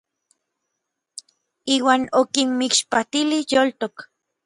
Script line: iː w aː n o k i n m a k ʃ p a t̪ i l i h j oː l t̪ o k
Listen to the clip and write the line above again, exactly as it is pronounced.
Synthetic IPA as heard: iː w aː n o k i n m i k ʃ p a t̪ i l i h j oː l t̪ o k

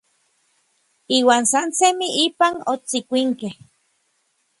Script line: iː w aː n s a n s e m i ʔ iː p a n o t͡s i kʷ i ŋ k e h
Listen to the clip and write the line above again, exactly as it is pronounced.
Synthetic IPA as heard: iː w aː n s a n s e m i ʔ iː p a n o t͡s i kʷ i ŋ k e h

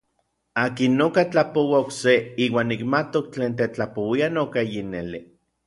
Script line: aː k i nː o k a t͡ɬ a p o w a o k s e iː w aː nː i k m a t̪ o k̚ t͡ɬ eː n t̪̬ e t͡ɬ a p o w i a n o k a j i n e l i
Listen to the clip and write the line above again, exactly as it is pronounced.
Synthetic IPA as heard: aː k i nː o k a t͡ɬ a p o w a o k s e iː w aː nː i k m a t̪ o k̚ t͡ɬ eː n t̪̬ e t͡ɬ a p o w i a n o k a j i n e l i

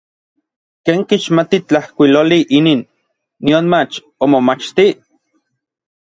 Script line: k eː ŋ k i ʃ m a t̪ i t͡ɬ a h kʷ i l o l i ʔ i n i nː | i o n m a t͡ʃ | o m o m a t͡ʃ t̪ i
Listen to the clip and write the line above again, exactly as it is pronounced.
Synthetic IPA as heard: k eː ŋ k i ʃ m a t̪ i t͡ɬ a h kʷ i l o l i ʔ i n i nː | i o n m a t͡ʃ | o m o m a t͡ʃ t̪ i

